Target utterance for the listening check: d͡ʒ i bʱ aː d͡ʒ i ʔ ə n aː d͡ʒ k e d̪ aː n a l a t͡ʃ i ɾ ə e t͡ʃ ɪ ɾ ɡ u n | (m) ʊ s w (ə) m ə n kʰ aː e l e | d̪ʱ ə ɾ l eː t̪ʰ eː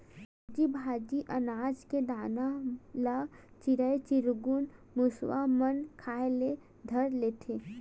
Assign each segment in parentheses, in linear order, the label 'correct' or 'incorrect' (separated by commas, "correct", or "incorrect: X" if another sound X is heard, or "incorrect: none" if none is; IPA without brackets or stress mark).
correct, incorrect: a